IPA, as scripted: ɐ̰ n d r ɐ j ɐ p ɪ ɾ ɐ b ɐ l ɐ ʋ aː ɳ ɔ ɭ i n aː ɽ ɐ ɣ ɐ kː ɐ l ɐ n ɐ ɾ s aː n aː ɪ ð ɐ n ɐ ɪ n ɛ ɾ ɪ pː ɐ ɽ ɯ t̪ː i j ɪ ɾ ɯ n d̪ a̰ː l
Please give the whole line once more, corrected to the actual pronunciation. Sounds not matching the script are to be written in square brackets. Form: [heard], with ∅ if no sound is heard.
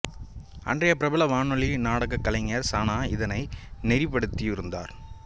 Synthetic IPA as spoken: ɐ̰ n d r ɐ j ɐ p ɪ ɾ ɐ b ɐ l ɐ ʋ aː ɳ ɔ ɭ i n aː ɽ ɐ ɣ ɐ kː ɐ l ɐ [ŋ] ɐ ɾ s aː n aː ɪ ð ɐ n ɐ ɪ n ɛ ɾ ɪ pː ɐ ɽ ɯ t̪ː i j ɪ ɾ ɯ n d̪ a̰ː [ɾ]